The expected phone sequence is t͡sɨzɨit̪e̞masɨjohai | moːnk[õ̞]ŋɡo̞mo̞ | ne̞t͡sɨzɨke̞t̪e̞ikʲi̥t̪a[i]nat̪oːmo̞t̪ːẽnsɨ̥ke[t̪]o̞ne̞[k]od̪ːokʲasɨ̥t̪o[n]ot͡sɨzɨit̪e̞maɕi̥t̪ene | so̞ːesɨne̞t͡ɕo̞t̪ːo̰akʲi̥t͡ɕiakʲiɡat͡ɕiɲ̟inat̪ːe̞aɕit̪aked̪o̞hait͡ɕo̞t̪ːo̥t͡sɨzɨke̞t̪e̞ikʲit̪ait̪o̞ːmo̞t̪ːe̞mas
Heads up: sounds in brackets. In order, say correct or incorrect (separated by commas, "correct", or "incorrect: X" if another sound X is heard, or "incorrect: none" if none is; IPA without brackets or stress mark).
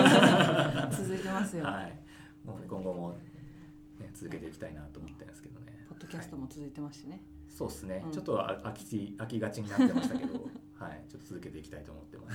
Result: correct, correct, incorrect: d̪, incorrect: p, incorrect: m